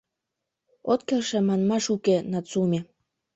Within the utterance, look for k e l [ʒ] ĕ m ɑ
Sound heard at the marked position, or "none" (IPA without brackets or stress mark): ʃ